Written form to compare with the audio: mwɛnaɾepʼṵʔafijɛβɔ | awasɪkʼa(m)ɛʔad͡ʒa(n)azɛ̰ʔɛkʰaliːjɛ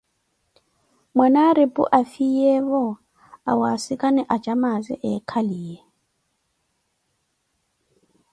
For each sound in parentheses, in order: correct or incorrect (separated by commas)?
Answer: incorrect, incorrect